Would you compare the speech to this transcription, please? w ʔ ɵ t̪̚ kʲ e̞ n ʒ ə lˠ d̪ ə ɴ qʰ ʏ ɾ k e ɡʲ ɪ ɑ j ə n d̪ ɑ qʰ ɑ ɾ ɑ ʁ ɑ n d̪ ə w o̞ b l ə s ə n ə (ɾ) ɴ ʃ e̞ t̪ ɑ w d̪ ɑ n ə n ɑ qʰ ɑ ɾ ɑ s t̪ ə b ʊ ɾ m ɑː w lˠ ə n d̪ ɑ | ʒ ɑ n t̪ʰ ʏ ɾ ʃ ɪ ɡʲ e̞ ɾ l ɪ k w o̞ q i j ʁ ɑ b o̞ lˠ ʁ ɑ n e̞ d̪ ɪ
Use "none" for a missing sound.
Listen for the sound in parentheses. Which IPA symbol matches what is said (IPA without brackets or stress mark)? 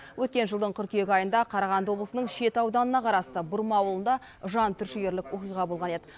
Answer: none